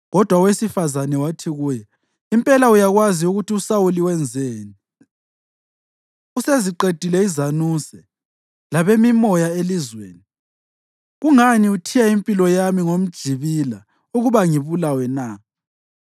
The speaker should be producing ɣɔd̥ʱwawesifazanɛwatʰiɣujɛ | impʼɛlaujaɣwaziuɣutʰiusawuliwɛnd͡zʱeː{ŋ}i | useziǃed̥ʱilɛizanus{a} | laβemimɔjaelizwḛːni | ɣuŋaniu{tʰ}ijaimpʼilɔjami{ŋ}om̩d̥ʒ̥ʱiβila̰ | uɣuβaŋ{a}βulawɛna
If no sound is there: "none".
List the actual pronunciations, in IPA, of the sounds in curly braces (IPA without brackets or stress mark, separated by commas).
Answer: n, ɛ, tʰ, ŋ, i